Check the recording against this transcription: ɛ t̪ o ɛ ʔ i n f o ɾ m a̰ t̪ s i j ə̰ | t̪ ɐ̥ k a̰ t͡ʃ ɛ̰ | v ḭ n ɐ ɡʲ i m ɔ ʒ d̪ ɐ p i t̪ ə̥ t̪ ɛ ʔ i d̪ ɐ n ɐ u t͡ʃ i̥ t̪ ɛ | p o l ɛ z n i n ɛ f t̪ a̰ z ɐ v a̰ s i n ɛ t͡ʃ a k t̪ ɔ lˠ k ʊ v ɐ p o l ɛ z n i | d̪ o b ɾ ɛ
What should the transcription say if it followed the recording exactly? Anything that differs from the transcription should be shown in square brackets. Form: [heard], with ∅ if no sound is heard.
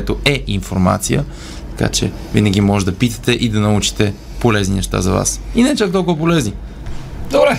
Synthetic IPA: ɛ t̪ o ɛ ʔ i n f o ɾ m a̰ t̪ s i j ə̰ | t̪ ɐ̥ k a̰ t͡ʃ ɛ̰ | v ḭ n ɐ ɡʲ i m ɔ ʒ d̪ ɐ p i t̪ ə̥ t̪ ɛ ʔ i d̪ ɐ n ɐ u t͡ʃ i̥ t̪ ɛ | p o l ɛ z n i n ɛ [ʃ] t̪ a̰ z ɐ v a̰ s i n ɛ t͡ʃ a k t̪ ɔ lˠ k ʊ v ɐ p o l ɛ z n i | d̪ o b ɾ ɛ